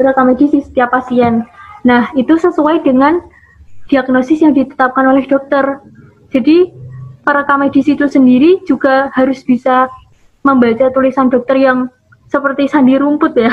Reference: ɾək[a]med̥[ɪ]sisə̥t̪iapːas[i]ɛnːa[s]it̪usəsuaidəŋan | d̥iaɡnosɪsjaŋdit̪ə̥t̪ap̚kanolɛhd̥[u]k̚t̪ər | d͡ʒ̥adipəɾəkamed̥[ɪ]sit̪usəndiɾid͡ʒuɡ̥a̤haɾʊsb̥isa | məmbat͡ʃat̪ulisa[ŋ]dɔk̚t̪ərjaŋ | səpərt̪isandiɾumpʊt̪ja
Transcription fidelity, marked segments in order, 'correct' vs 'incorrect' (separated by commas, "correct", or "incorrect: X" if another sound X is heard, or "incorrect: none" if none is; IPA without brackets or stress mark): correct, incorrect: i, correct, incorrect: h, incorrect: ɔ, incorrect: i, incorrect: n